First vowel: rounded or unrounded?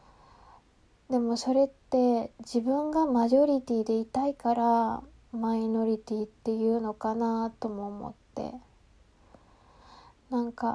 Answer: unrounded